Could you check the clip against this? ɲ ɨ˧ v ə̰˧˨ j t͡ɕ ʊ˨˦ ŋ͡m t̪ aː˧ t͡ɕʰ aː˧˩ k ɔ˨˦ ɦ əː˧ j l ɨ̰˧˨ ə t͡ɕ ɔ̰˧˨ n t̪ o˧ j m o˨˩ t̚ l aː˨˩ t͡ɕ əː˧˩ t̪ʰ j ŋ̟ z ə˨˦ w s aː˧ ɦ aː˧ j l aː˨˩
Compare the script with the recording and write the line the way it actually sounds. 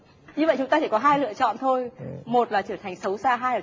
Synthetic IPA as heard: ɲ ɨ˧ v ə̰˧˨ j t͡ɕ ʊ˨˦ ŋ͡m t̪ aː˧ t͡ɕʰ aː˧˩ k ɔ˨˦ ɦ aː˧ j l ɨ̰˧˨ ə t͡ɕ ɔ̰˧˨ n t̪ʰ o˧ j m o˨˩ t̚ l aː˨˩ t͡ɕ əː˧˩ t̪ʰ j ŋ̟ s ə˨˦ w s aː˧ ɦ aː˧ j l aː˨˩